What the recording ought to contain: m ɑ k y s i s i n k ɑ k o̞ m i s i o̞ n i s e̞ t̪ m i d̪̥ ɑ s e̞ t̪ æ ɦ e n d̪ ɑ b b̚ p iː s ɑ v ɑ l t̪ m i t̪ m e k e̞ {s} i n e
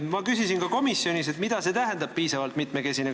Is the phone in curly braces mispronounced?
no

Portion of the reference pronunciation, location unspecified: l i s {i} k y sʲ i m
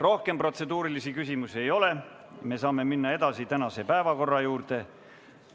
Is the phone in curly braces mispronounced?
no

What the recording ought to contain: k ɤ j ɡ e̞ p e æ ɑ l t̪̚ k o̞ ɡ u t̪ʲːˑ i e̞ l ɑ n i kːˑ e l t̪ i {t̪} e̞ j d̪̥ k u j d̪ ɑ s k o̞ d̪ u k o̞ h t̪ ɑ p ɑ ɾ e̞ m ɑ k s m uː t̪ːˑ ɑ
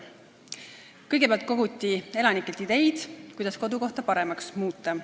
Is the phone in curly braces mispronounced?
yes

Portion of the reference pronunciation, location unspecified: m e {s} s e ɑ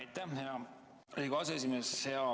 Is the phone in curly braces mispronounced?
no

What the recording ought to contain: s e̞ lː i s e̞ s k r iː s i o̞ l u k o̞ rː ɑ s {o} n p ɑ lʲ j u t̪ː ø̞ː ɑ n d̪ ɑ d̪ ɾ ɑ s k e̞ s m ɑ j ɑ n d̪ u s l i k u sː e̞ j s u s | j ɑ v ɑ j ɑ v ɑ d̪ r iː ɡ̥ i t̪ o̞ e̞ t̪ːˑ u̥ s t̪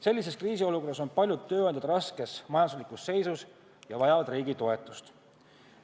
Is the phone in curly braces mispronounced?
no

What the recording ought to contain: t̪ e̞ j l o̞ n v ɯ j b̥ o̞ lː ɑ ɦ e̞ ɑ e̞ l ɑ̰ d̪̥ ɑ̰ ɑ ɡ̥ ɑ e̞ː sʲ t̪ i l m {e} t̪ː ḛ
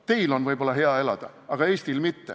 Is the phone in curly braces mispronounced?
yes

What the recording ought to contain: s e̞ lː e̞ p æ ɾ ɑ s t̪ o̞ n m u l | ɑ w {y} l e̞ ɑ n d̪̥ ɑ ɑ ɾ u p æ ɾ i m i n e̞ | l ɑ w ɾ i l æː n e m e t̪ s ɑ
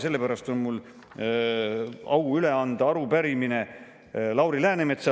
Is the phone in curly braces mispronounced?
no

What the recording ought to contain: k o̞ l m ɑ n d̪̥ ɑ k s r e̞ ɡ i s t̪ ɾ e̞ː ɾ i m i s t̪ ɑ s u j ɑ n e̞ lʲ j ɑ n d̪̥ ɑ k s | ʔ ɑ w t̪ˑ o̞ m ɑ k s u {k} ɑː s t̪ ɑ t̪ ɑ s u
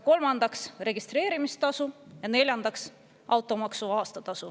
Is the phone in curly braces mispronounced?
yes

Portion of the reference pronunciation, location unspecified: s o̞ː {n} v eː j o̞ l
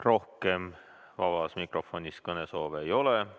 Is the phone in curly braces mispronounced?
yes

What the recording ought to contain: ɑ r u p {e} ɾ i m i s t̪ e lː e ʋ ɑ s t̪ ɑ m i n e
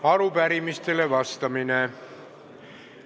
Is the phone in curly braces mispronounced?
yes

